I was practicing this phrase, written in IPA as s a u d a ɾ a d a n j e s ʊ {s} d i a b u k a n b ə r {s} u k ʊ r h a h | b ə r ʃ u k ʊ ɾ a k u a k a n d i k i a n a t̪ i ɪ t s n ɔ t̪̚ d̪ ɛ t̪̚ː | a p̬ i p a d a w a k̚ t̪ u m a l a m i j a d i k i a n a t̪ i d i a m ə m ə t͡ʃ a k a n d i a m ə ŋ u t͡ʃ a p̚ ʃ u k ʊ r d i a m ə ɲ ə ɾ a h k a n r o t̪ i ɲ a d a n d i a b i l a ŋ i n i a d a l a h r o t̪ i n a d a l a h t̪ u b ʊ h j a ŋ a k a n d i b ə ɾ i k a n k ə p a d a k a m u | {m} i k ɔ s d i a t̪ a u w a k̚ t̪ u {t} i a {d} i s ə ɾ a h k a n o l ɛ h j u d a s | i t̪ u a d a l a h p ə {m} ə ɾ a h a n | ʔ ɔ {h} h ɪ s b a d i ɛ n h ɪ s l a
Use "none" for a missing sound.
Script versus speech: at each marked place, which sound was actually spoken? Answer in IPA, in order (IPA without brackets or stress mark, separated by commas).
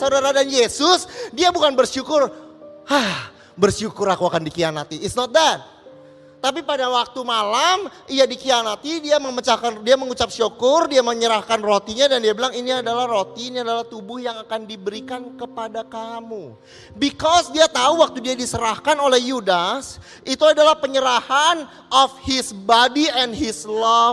s, ʃ, b, d, d, ɲ, f